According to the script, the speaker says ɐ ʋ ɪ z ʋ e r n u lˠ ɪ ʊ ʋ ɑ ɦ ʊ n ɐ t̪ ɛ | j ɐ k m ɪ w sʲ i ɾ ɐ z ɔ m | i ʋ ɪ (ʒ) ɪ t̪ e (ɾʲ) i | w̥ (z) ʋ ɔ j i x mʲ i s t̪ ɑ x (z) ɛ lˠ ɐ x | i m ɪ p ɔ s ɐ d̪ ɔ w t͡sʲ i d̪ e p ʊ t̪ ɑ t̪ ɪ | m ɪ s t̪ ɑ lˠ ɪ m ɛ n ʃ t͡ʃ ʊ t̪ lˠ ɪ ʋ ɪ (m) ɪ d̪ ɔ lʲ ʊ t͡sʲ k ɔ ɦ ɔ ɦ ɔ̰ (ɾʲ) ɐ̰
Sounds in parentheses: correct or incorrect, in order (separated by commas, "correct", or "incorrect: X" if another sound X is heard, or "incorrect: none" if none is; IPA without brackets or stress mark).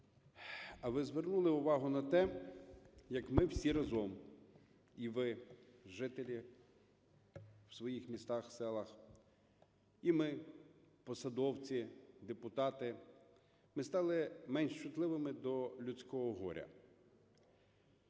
correct, incorrect: lʲ, incorrect: s, incorrect: s, correct, correct